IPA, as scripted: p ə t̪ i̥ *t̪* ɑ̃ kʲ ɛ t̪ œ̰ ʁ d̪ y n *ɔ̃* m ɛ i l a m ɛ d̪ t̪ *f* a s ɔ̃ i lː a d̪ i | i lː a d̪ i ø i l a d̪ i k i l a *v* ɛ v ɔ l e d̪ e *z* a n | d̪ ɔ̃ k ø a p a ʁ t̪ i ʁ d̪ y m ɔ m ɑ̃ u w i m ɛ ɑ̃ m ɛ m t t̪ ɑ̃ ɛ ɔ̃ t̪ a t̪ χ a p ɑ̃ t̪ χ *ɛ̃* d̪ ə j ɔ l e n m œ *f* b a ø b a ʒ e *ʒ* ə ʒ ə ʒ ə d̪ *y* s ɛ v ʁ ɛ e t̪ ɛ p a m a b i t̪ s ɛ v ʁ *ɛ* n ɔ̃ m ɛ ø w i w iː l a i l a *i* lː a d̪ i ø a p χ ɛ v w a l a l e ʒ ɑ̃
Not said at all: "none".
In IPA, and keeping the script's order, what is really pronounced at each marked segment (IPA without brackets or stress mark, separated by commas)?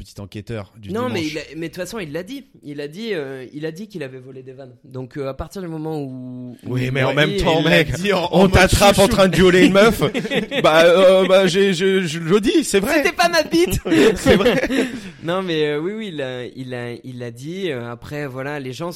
t̪, ɔ̃, f, v, v, ɛ̃, f, ʒ, i, ɛ, i